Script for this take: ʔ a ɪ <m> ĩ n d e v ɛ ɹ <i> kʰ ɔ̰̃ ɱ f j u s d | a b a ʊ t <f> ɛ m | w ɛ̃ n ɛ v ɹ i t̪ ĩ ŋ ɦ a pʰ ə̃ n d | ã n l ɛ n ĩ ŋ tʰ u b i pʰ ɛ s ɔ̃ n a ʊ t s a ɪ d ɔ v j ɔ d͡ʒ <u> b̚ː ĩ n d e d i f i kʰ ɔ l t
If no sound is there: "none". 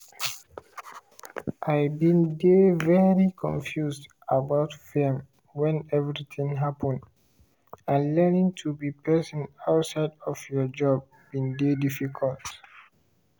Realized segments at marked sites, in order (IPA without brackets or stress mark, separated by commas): b, i, f, ɔ